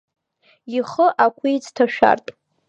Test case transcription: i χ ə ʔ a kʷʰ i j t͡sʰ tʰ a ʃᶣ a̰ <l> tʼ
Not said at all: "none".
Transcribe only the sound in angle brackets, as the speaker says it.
r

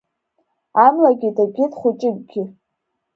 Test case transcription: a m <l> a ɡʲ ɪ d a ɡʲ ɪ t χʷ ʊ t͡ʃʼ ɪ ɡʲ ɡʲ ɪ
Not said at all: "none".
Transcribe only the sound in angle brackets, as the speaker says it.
l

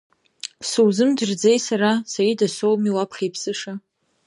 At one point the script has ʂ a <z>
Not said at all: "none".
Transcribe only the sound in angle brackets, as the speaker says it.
none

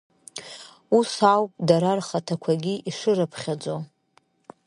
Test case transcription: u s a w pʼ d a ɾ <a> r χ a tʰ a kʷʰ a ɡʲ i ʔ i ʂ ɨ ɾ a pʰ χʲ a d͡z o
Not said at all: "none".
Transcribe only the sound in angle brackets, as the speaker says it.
a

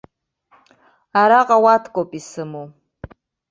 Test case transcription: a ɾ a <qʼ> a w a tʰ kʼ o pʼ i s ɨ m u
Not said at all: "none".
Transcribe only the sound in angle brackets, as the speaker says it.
qʼ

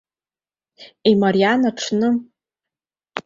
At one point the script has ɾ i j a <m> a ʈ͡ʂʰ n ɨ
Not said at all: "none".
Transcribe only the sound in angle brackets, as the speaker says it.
n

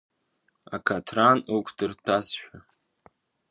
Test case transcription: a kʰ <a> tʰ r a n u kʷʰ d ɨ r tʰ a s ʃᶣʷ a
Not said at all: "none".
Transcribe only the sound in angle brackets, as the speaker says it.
a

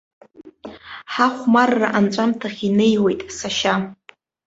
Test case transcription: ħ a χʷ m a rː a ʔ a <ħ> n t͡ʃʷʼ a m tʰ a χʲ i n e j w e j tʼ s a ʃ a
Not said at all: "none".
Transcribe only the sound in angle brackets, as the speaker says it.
none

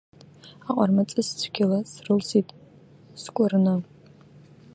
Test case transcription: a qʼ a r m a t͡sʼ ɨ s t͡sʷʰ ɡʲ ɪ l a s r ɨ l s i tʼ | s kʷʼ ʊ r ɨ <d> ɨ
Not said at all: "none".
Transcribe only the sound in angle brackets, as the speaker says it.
n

